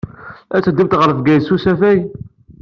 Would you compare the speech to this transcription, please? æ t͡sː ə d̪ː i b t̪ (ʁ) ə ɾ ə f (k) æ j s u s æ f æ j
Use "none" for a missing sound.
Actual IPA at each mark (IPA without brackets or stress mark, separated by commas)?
ʁ, ɡ